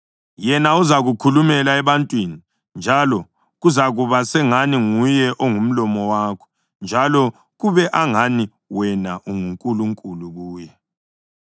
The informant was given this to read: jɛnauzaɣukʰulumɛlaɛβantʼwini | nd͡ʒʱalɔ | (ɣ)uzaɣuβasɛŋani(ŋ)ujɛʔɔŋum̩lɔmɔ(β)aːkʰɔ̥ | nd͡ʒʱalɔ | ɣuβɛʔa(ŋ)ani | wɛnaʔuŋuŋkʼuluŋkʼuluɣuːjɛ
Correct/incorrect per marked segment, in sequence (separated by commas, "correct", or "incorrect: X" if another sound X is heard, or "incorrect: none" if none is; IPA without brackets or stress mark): correct, correct, incorrect: w, correct